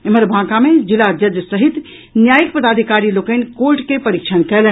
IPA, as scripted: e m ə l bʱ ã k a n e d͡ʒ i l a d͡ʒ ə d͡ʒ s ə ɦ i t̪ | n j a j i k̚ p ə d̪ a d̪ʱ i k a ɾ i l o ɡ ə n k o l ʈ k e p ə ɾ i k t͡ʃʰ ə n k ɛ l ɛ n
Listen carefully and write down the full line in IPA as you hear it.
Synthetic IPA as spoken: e m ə ɾ bʱ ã k a m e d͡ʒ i l a d͡ʒ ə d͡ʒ s ə ɦ i t̪ | n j a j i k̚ p ə d̪ a d̪ʱ i k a ɾ i l o k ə n k o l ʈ k e p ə ɾ i k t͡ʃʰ ə n k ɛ l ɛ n